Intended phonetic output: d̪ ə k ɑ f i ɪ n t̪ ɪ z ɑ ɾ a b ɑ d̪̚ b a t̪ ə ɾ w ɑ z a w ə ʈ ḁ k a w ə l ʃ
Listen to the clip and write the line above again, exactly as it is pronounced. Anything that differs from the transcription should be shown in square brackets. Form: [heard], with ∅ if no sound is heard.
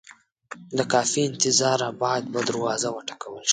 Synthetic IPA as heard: d̪ ə k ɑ f i ɪ n t̪ ɪ z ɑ ɾ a b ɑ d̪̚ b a [d̪] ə ɾ w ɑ z a w ə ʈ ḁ k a w ə l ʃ